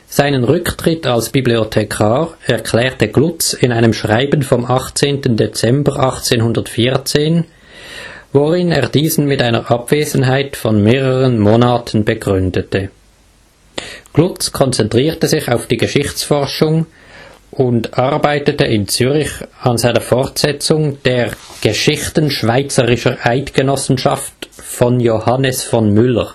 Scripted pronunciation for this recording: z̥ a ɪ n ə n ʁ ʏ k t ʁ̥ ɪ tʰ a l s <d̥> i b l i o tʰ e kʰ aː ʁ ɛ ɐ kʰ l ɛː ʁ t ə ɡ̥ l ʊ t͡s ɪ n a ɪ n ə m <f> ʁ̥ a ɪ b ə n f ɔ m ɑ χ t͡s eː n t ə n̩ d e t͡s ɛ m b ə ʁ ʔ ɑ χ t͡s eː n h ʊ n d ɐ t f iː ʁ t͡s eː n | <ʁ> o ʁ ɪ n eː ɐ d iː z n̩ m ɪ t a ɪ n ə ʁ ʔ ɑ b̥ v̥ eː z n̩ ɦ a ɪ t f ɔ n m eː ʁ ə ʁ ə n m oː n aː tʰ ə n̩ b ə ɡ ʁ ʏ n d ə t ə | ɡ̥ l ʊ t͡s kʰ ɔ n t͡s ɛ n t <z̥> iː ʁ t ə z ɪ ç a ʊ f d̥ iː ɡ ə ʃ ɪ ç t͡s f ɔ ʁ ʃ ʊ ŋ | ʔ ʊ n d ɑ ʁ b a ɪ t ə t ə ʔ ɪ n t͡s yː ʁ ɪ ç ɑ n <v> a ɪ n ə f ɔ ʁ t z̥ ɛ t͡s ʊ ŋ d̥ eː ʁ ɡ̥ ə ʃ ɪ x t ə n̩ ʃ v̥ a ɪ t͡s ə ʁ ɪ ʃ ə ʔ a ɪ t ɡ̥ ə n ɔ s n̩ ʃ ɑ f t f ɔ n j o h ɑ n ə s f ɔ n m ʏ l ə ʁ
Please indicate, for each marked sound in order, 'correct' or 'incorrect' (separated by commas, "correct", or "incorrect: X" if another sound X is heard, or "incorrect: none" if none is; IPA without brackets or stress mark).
incorrect: b̥, incorrect: ʃ, incorrect: v, incorrect: ʁ̥, incorrect: z